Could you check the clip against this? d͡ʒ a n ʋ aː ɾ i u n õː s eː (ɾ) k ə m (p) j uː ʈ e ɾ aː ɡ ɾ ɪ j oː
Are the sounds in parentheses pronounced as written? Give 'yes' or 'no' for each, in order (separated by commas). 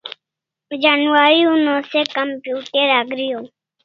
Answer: no, yes